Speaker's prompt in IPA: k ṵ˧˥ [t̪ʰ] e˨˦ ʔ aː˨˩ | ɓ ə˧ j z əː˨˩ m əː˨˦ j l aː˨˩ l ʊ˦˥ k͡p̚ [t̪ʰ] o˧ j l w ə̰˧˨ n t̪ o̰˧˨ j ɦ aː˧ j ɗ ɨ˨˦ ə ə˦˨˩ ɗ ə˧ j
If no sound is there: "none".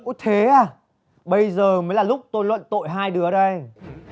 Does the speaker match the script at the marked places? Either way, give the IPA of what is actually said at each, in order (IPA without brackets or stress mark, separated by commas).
t̪ʰ, t̪